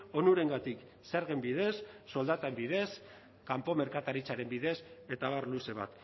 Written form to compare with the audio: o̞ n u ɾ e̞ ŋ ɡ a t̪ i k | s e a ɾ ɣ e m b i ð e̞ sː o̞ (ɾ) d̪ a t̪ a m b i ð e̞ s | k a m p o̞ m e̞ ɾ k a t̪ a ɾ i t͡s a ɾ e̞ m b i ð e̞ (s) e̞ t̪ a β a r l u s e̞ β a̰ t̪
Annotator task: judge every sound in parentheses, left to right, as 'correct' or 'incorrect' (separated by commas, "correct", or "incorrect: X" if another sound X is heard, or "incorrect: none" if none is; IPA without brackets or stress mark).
incorrect: l, correct